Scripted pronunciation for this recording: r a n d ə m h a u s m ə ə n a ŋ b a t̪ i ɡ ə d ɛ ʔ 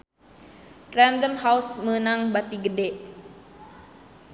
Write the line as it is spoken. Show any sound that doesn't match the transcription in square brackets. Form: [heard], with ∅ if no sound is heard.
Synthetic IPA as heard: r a n d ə m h a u s m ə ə n a ŋ b a t̪ i ɡ ə d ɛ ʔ